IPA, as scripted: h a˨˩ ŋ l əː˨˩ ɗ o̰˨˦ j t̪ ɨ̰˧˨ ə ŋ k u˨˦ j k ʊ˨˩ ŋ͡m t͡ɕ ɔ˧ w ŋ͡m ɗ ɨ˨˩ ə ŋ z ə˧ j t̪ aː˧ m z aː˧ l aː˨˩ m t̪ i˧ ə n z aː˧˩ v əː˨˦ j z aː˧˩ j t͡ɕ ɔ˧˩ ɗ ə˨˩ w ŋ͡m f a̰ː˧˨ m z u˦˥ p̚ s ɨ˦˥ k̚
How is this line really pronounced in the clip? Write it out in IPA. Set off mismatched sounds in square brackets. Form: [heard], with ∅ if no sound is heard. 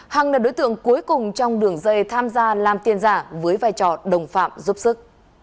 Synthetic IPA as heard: h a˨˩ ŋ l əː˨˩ ɗ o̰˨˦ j t̪ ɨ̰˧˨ ə ŋ k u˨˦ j k ʊ˨˩ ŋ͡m t͡ɕ ɔ˧ w ŋ͡m ɗ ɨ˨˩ ə ŋ z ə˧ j [t̪ʰ] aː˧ m z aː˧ l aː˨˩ m t̪ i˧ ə n z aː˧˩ v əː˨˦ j [v] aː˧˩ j t͡ɕ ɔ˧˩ ɗ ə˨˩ w ŋ͡m f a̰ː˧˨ m z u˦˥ p̚ s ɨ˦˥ k̚